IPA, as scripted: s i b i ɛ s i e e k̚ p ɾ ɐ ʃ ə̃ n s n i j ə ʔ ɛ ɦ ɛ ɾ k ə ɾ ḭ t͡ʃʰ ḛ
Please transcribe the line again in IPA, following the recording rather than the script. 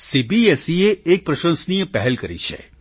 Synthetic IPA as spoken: s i b i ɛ s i e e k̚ p ɾ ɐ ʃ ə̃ n s n i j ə p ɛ ɦ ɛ l k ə ɾ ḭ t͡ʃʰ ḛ